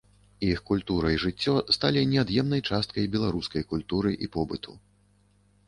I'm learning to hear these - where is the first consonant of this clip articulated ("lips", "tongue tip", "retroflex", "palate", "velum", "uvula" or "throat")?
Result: velum